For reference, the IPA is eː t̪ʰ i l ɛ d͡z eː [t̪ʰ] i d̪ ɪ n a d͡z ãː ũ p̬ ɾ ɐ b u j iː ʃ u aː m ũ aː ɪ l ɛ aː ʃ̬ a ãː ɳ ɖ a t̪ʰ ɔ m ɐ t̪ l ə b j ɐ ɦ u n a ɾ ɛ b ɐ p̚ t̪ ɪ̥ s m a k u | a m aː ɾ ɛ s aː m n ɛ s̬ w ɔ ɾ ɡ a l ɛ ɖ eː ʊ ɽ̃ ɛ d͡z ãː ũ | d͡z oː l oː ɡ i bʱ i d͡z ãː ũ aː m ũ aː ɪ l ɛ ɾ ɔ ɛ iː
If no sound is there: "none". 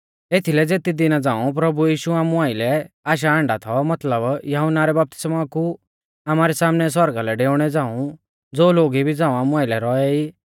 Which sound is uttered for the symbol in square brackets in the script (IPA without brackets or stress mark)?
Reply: t̪